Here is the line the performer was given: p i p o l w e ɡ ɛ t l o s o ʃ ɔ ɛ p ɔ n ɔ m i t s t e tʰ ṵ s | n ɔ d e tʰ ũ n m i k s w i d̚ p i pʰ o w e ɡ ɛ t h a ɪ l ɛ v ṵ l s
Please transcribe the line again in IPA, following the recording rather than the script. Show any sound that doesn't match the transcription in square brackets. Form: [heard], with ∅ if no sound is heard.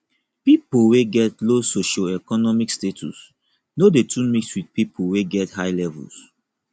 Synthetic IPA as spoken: p i p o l w e ɡ ɛ t l o s o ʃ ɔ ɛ [k] ɔ n ɔ m i [k] s t e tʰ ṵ s | n [o] d e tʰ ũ n m i k s w i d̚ p i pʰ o w e ɡ ɛ t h a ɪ l ɛ v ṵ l s

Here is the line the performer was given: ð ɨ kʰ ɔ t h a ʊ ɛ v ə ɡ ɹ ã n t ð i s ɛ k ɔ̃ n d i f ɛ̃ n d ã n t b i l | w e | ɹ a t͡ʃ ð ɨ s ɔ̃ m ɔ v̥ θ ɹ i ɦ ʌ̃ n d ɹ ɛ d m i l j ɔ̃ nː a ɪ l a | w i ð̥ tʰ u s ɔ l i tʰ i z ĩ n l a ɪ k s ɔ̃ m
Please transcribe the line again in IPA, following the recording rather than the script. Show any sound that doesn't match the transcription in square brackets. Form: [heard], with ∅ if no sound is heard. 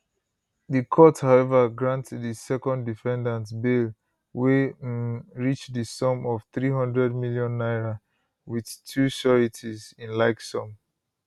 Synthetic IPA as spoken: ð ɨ kʰ ɔ t h a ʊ ɛ v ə ɡ ɹ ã n t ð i s ɛ k ɔ̃ n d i f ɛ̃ n d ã n t b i l | w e | ɹ [i] t͡ʃ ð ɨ s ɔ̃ m ɔ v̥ θ ɹ i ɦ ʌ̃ n d ɹ ɛ d m i l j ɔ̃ nː a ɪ [ɹ] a | w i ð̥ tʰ u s ɔ [ɹ] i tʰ i z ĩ n l a ɪ k s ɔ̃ m

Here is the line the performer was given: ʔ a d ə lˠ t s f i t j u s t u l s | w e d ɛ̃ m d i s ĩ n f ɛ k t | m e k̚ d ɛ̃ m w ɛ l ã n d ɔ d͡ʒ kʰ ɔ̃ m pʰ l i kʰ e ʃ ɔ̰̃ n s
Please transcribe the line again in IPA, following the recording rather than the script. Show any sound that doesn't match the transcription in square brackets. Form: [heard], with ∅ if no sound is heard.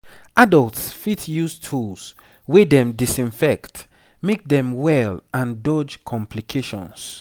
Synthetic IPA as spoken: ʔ a d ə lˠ t s f i t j u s [tʰ] u l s | w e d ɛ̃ m d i s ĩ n f ɛ k t | m e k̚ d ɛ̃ m w ɛ l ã n d ɔ d͡ʒ kʰ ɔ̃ m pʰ l i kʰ e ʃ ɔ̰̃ n s

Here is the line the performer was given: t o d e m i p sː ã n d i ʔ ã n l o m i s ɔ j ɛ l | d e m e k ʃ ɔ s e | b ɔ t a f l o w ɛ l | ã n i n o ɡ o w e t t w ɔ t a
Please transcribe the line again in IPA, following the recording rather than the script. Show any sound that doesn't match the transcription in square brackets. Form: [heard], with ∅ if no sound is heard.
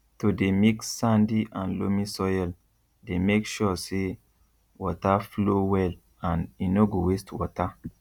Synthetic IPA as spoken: t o d e m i [k] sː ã n d i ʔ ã n l o m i s ɔ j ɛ l | d e m e k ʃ ɔ s e | [w] ɔ t a f l o w ɛ l | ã n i n o ɡ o w e [s] t w ɔ t a

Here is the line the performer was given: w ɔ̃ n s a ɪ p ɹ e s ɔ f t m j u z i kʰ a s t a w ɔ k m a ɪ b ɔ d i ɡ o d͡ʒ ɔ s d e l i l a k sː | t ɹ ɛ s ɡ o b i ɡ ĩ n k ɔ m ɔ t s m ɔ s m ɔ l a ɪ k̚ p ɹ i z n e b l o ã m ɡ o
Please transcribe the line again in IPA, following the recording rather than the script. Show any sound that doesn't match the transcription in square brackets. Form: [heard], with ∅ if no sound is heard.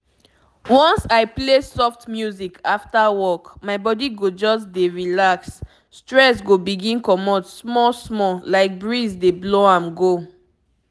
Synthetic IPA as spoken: w ɔ̃ n s a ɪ p [l] e s ɔ f t m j u z i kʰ a [f] t a w ɔ k m a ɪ b ɔ d i ɡ o d͡ʒ ɔ s d e [ɹ] i l a k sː | t ɹ ɛ s ɡ o b i ɡ ĩ n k ɔ m ɔ t s m ɔ s m ɔ l a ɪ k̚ [b] ɹ i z [d] e b l o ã m ɡ o

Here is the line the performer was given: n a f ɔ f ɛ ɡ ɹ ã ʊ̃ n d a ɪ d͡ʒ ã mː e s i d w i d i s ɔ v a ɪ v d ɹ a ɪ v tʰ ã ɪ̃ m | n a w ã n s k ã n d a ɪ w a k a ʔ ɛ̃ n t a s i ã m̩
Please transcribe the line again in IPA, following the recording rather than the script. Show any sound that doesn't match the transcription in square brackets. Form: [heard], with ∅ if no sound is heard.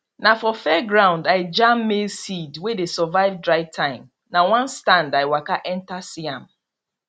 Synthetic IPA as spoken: n a f ɔ f ɛ ɡ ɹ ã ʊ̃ n d a ɪ d͡ʒ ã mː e s i d w [e] d [e] s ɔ v a ɪ v d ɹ a ɪ v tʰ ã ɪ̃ m | n a w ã n s [t] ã n d a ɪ w a k a ʔ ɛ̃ n t a s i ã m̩

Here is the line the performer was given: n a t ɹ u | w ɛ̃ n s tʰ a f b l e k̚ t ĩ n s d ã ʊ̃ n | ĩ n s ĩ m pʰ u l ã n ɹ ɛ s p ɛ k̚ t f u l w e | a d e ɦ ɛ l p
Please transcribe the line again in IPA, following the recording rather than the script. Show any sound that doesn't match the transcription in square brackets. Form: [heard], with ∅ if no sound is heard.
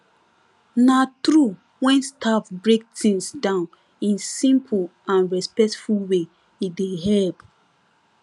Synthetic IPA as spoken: n a t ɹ u | w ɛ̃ n s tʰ a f b [ɹ] e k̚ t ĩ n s d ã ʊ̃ n | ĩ n s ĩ m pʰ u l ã n ɹ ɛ s p ɛ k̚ t f u l w e | [i] d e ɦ ɛ l p

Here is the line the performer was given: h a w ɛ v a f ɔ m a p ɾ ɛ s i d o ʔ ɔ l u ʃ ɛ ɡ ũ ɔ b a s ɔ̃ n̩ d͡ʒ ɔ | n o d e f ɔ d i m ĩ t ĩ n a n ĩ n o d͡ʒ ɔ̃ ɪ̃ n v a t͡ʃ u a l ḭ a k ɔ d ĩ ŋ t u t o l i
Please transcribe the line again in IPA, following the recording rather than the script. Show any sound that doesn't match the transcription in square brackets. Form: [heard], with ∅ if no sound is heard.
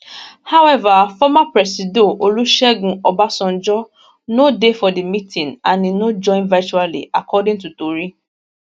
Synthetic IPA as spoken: h a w ɛ v a f ɔ m a p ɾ ɛ s i d o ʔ [o] l u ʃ ɛ ɡ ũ ɔ b a s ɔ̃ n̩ d͡ʒ ɔ | n o d e f ɔ d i m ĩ t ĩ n a n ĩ n o d͡ʒ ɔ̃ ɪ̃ n v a t͡ʃ u a l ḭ a k ɔ d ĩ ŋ t u t o [ɾ] i

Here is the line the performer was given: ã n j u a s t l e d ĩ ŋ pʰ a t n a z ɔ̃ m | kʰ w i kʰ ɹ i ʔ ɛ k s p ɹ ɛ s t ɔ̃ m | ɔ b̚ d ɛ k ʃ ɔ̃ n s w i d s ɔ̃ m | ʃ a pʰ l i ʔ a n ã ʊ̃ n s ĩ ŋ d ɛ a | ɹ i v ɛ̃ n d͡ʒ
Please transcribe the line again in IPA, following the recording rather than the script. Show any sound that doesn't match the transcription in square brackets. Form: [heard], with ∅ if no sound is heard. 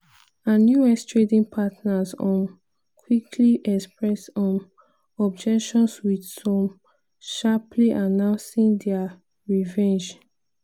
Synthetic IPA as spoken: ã n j u [ɛ] s t [ɹ] e d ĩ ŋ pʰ a t n a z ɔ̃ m | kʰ w i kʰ [l] i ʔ ɛ k s p ɹ ɛ s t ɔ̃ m | ɔ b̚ [d͡ʒ] ɛ k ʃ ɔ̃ n s w i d s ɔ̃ m | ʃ a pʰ l i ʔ a n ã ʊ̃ n s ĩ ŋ d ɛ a | ɹ i v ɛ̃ n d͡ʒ

